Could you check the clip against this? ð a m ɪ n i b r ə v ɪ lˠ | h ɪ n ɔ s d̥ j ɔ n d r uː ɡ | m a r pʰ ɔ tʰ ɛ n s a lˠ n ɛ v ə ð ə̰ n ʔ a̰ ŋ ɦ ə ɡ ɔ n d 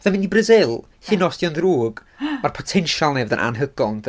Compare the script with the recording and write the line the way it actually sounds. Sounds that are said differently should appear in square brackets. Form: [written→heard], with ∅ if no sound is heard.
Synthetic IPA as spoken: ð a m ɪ n i b r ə [v→z] ɪ lˠ | h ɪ n ɔ s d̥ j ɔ n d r uː ɡ | m a r pʰ ɔ tʰ ɛ n [s→ʃ] a lˠ n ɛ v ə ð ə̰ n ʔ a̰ [ŋ→n] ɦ ə ɡ ɔ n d